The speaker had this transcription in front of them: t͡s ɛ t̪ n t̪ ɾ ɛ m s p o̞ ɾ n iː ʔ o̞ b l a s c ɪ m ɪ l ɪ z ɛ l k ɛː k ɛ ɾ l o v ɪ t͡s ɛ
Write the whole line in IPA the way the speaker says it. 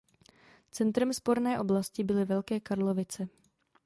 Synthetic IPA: t͡s ɛ n t̪ ɾ ɛ m s p o̞ ɾ n ɛː ʔ o̞ b l a s c ɪ b ɪ l ɪ v ɛ l k ɛː k a ɾ l o v ɪ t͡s ɛ